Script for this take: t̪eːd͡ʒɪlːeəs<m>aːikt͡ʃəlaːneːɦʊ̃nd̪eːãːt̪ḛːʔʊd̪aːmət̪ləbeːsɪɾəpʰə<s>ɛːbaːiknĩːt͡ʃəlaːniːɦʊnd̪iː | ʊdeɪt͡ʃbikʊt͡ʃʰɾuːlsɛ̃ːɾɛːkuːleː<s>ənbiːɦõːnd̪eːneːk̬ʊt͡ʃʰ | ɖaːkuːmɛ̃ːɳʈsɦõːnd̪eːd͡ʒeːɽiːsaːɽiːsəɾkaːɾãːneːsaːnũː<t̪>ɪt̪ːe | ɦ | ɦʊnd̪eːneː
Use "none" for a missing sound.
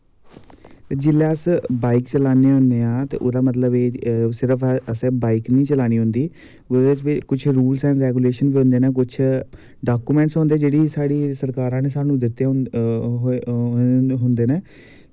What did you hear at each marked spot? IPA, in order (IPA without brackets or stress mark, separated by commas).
b, s, ʃ, d̪